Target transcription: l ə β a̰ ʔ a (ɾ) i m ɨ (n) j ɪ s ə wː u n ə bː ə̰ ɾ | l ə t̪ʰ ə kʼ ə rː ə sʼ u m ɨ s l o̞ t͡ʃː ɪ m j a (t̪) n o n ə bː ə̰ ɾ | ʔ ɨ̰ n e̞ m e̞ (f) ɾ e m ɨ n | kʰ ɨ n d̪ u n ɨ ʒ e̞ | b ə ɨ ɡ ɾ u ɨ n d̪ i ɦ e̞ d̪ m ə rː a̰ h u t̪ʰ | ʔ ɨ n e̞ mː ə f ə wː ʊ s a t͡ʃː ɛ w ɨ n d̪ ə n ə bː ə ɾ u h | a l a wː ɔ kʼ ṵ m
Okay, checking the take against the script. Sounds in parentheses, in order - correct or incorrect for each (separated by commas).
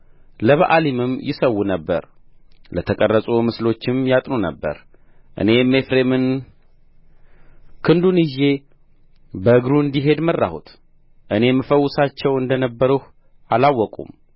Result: incorrect, incorrect, incorrect, correct